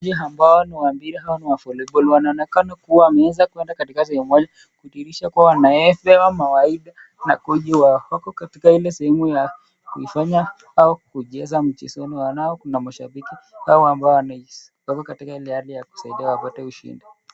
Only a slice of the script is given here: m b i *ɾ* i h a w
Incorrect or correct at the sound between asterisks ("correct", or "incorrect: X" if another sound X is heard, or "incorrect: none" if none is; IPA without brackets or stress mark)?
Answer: correct